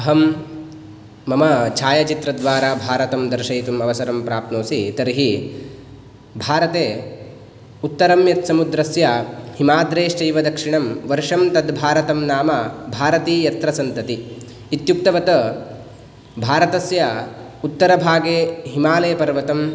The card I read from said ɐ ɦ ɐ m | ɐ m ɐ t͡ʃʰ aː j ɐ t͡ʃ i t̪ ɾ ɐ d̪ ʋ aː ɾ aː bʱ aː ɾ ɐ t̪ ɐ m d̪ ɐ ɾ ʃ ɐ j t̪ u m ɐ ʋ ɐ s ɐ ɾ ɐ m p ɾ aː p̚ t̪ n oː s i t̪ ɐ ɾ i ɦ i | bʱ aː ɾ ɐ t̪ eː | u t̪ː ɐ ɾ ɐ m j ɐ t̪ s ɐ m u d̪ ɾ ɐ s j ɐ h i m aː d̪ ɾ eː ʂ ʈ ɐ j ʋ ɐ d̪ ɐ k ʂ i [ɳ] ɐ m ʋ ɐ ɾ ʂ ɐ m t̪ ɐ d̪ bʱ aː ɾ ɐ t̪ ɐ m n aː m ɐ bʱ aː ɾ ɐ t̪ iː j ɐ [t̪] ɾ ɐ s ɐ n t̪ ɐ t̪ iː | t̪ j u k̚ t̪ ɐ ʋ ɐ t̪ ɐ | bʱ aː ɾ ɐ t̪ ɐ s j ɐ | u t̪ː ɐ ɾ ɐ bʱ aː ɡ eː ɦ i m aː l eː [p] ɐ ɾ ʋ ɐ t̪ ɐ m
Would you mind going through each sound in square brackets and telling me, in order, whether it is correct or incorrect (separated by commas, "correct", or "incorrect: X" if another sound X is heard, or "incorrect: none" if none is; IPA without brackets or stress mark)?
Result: correct, correct, correct